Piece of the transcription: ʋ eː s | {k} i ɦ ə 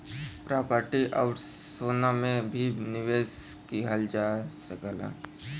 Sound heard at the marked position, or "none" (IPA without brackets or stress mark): k